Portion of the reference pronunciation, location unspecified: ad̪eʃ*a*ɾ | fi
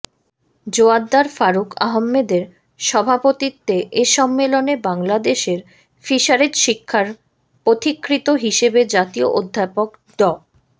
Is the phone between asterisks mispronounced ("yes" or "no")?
yes